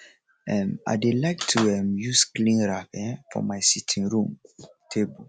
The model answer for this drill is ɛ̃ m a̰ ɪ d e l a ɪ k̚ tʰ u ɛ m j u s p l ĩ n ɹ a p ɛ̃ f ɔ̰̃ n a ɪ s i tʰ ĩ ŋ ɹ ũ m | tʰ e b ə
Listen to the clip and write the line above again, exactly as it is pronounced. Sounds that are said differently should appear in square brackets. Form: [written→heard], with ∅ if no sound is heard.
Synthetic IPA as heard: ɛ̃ m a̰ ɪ d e l a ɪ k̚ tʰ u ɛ m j u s [p→k] l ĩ n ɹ a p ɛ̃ f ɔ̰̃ [n→m] a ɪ s i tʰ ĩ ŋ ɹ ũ m | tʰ e b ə